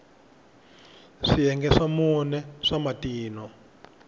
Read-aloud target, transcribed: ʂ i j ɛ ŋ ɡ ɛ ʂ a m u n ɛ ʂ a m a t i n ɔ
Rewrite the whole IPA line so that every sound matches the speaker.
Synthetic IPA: ʂ i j ɛ ŋ ɡ ɛ ʂ a m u n ɛ ʂ a m a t iː n ɔ